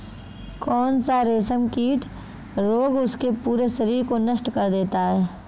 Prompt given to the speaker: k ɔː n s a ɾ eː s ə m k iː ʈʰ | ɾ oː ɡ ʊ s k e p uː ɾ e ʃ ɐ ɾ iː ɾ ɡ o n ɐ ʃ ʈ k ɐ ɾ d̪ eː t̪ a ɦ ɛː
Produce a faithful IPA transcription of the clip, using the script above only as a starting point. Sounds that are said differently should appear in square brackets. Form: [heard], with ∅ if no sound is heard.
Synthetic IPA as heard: k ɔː n s a ɾ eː s ə m k iː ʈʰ | ɾ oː ɡ ʊ s k e p uː ɾ e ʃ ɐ ɾ iː ɾ [k] o n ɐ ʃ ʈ k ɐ ɾ d̪ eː t̪ a ɦ ɛː